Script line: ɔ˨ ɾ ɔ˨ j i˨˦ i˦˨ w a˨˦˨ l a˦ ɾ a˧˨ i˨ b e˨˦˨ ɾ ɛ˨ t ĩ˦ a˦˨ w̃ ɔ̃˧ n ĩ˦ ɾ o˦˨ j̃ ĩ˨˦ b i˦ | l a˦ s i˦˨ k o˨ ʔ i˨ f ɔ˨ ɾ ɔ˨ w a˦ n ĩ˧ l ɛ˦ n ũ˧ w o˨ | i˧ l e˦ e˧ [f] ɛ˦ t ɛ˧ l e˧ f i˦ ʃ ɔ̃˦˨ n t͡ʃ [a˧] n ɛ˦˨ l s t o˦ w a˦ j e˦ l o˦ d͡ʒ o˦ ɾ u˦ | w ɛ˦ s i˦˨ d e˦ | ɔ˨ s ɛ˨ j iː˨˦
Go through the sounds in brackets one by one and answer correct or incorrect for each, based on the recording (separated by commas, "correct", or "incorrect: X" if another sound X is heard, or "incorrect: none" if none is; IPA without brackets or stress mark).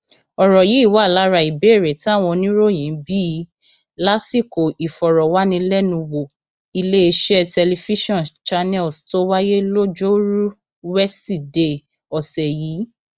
incorrect: ʃ, correct